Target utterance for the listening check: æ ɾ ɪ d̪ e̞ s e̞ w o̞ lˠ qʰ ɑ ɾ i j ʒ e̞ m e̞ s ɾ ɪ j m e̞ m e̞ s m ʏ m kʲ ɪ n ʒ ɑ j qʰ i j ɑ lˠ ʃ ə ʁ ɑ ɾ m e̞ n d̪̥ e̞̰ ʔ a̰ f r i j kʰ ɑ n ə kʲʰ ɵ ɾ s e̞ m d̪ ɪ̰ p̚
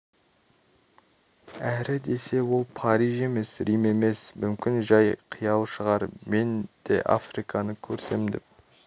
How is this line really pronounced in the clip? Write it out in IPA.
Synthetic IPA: æ ɾ ɪ d̪ e̞ s e̞ w o̞ lˠ pʰ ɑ ɾ i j ʒ e̞ m e̞ s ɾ i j m e̞ m e̞ s m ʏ m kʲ ɪ n ʒ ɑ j qʰ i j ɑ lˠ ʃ ə ʁ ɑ ɾ m e̞ n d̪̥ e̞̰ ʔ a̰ f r i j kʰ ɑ n ə kʲʰ ɵ ɾ s e̞ m d̪ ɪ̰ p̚